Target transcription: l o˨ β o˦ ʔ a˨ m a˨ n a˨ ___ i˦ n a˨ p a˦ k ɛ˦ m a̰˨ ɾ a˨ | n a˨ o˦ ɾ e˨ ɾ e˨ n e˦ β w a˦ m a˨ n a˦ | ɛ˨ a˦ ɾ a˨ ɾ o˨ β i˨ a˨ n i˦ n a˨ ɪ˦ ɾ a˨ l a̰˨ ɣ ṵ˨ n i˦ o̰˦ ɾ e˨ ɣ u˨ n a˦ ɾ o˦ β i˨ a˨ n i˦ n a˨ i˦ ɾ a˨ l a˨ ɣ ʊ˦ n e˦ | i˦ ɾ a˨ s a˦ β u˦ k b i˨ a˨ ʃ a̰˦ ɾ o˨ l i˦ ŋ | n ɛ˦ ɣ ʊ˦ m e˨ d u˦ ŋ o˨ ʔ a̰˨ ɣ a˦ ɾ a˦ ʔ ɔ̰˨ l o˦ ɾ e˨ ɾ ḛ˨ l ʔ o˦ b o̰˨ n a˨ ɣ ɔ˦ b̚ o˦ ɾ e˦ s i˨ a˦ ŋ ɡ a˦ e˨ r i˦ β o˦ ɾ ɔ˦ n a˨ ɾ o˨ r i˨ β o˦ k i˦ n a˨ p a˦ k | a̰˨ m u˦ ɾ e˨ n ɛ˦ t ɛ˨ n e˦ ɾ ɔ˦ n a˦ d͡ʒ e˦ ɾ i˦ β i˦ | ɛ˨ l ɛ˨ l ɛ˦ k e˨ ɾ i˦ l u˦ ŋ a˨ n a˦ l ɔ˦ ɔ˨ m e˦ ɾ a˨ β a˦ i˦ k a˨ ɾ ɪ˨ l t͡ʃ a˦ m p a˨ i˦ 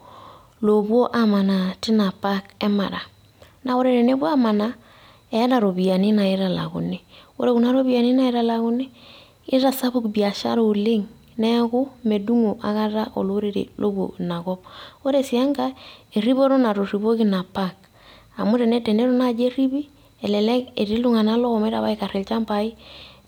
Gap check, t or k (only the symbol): t